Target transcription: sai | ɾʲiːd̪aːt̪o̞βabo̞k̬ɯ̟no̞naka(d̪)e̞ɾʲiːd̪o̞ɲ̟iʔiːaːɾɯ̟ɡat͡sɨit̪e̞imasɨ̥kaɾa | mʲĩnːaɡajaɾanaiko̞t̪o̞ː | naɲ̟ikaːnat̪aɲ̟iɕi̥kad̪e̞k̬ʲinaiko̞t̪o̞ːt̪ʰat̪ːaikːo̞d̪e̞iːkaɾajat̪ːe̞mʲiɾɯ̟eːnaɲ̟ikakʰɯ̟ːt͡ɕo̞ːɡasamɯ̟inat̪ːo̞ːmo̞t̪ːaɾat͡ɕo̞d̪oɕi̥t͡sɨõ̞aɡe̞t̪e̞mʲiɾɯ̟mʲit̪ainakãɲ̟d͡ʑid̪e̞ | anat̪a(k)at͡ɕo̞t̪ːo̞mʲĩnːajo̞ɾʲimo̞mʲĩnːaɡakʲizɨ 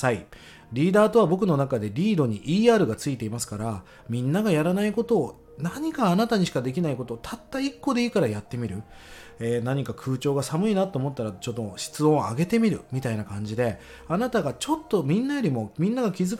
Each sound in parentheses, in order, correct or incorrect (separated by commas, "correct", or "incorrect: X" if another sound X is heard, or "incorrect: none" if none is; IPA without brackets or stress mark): correct, incorrect: ɡ